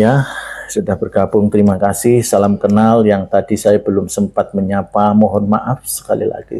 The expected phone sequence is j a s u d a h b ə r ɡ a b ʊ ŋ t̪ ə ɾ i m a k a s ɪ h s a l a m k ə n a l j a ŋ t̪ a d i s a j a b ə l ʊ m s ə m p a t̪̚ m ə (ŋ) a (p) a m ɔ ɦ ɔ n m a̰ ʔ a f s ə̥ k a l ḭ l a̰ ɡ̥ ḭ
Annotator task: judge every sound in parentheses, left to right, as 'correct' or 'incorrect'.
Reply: incorrect: ɲ, correct

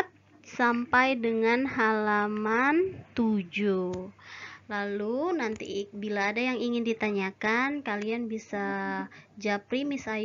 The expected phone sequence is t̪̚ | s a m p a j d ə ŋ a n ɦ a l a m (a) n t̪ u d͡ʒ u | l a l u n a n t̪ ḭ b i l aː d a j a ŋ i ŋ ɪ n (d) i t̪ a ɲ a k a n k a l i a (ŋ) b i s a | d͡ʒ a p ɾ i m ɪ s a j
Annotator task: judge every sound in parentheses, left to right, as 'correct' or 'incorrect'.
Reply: correct, correct, incorrect: n

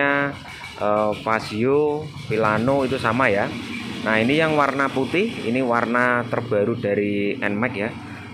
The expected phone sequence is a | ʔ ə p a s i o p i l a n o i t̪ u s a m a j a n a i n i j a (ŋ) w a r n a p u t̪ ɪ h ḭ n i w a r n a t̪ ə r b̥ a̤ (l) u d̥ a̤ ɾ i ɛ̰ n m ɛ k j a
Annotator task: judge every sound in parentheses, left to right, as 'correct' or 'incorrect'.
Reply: correct, incorrect: ɾ

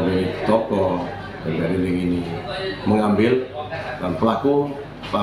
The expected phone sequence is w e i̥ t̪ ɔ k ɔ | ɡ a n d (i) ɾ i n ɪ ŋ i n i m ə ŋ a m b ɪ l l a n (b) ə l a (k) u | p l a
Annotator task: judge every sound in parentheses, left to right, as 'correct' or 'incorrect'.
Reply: incorrect: a, incorrect: p, correct

